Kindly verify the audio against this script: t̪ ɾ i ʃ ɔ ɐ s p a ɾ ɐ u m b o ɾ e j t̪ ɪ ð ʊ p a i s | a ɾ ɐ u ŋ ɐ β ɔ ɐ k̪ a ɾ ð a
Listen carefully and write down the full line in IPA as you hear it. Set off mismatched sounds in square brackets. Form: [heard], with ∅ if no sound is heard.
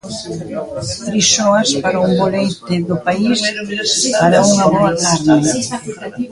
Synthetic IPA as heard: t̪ ɾ i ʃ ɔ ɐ s p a ɾ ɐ u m b o [l] e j t̪ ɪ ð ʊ p a i s | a ɾ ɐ u ŋ ɐ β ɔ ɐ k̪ a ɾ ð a